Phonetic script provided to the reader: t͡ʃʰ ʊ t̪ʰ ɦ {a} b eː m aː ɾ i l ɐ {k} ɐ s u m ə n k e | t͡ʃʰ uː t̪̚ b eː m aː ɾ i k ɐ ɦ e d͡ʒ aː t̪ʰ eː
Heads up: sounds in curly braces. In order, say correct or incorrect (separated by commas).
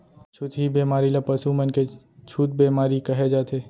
incorrect, incorrect